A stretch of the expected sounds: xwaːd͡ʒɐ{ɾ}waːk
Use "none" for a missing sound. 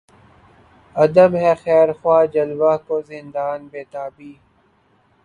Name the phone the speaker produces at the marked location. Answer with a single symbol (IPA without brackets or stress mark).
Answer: l